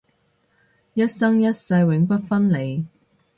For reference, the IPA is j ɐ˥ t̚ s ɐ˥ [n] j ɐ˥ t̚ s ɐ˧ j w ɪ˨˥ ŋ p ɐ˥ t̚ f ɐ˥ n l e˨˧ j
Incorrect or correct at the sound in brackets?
incorrect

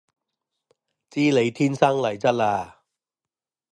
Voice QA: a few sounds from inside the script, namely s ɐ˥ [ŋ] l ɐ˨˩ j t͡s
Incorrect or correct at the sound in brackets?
correct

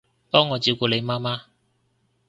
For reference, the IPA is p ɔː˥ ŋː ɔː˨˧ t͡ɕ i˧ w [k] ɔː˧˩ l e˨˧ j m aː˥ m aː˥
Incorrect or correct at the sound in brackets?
correct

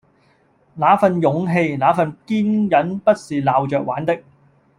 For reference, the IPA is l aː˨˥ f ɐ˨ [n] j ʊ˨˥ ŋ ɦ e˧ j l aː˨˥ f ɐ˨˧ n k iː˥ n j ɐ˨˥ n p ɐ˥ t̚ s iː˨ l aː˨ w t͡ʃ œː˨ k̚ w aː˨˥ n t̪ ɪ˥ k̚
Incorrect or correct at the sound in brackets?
correct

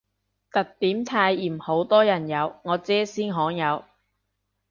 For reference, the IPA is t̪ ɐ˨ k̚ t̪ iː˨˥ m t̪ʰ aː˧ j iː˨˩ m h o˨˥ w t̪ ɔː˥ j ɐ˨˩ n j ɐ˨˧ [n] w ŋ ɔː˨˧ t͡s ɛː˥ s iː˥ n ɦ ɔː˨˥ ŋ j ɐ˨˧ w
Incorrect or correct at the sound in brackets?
incorrect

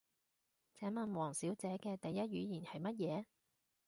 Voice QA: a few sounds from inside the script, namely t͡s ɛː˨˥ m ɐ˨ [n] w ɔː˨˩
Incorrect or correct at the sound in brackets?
correct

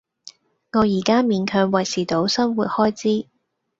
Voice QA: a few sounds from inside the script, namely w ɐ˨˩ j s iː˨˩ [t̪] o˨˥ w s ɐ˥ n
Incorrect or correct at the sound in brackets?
correct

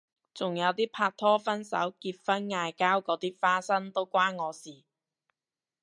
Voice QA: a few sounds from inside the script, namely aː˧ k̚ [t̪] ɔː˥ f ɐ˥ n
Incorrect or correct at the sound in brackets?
incorrect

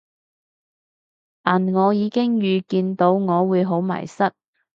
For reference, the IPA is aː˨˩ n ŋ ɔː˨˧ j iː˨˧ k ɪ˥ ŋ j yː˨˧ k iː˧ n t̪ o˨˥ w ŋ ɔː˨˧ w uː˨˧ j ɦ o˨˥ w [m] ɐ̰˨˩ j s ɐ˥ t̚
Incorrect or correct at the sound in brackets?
correct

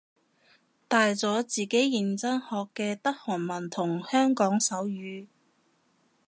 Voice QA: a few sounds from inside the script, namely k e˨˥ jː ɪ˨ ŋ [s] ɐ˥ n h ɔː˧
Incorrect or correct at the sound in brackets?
incorrect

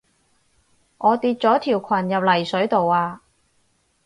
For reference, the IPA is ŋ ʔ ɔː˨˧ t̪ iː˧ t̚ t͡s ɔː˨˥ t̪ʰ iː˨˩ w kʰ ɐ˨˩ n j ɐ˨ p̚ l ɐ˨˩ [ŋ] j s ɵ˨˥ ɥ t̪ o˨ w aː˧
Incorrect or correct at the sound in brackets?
incorrect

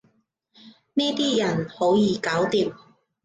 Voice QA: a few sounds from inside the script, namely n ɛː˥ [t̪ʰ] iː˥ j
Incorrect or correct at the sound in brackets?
incorrect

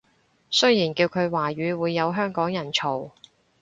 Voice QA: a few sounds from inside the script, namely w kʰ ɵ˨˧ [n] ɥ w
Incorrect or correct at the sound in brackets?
incorrect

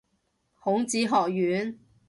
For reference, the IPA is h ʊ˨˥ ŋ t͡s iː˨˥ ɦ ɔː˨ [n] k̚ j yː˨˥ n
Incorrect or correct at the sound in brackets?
incorrect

